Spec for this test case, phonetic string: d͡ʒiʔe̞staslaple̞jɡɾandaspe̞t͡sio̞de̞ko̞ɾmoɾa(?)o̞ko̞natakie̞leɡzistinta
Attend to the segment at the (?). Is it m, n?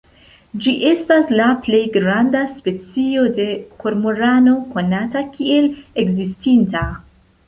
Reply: n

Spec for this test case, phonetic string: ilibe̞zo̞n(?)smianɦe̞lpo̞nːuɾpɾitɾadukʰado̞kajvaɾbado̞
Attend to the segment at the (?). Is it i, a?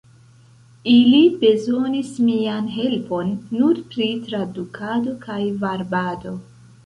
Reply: i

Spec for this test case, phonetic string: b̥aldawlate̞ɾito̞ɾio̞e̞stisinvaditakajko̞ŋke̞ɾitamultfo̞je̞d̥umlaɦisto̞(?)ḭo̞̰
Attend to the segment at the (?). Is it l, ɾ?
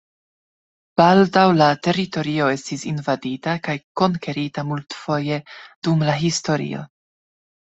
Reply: ɾ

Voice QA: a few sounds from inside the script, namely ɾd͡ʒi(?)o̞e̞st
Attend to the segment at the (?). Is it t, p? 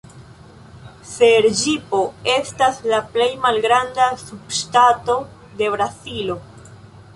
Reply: p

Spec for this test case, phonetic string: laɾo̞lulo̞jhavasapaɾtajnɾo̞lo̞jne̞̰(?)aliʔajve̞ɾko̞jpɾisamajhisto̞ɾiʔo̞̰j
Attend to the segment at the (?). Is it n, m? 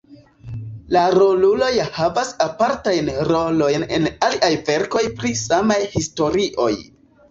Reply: n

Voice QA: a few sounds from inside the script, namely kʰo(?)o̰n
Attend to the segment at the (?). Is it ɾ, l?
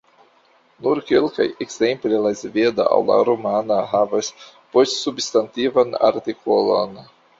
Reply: l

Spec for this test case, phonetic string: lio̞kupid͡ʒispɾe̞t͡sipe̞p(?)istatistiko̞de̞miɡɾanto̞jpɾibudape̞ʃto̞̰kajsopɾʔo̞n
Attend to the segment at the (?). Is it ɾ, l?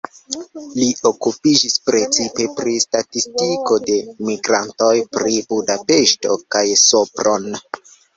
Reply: ɾ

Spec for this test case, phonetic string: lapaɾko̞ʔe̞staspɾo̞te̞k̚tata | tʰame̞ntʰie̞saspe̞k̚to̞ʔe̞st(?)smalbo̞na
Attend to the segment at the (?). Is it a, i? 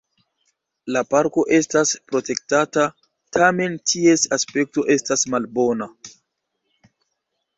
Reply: a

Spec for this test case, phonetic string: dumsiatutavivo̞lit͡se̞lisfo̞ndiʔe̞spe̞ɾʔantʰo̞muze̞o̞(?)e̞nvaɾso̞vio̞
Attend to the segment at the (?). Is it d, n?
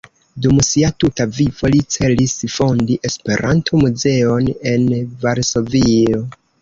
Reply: n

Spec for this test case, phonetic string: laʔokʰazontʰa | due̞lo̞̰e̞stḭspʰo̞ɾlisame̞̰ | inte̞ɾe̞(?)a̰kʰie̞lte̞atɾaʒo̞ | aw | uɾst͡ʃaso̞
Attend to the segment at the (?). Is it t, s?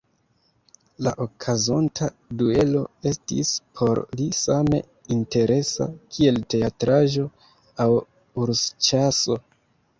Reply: s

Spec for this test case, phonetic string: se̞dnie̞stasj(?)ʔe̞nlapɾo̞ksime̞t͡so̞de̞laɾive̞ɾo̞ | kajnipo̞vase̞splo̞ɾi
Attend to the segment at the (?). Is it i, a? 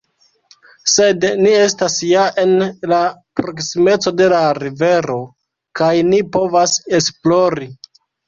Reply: a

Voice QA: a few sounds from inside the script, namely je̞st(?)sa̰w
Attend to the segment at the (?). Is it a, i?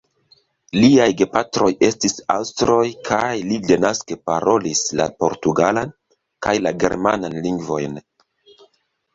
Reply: i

